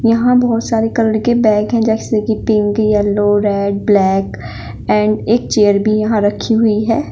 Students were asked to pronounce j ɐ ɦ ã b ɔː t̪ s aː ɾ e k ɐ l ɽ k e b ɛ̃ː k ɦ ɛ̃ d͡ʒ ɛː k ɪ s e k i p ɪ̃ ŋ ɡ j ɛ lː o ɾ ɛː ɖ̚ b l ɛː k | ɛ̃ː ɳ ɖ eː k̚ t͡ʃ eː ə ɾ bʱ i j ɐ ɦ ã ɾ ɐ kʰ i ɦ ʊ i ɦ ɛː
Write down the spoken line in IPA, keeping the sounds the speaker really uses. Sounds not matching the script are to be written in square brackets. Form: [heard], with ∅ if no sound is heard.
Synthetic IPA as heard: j ɐ ɦ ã b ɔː t̪ s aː ɾ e k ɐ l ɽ k e b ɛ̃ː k ɦ ɛ̃ d͡ʒ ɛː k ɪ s e k i p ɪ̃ ŋ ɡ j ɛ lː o ɾ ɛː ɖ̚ b l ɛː k | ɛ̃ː ɳ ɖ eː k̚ t͡ʃ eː ə ɾ bʱ i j ɐ ɦ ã ɾ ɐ kʰ i ɦ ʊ i ɦ ɛː

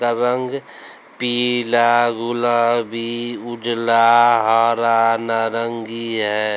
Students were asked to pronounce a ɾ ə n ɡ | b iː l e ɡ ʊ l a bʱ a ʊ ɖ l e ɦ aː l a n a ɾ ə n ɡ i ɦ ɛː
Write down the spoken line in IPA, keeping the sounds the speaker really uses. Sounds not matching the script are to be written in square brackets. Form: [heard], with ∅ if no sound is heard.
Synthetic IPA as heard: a ɾ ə [ŋ] ɡ | [p] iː l [a] ɡ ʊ l a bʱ [i] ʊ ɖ l [a] ɦ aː [ɾ] a n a ɾ ə [ŋ] ɡ i ɦ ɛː

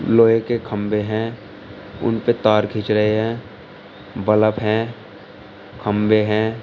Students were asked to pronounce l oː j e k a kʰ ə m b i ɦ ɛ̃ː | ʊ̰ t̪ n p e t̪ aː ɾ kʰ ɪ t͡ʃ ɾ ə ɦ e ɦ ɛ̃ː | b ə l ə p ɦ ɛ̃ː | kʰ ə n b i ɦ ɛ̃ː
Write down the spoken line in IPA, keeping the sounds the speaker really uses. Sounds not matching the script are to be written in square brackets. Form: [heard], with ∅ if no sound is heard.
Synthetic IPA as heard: l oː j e k [e] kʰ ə m b [e] ɦ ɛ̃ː | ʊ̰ [∅] n p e t̪ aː ɾ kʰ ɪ t͡ʃ ɾ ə ɦ e ɦ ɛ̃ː | b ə l ə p ɦ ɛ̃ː | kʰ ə [m] b [e] ɦ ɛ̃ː

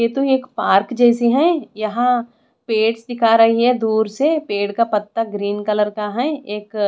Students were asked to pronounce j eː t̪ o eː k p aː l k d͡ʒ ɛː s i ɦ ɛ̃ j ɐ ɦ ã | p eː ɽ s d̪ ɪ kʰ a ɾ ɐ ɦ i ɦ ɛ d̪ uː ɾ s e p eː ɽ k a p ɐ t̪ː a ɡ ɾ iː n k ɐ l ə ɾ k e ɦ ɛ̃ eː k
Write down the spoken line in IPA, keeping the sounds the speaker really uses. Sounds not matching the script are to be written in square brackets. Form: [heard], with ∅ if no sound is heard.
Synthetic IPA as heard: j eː t̪ o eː k p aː [ɾ] k d͡ʒ ɛː s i ɦ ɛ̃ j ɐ ɦ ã | p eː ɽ s d̪ ɪ kʰ a ɾ ɐ ɦ i ɦ ɛ d̪ uː ɾ s e p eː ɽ k a p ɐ t̪ː a ɡ ɾ iː n k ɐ l ə ɾ k [a] ɦ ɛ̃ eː k

